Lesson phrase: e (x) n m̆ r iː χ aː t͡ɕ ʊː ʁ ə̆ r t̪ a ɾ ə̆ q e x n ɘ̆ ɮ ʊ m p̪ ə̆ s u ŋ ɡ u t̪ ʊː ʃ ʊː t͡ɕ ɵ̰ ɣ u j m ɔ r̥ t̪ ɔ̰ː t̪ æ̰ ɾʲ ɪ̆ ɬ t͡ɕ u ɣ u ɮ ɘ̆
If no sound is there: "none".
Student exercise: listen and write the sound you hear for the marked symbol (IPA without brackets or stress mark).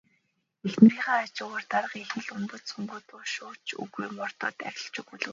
x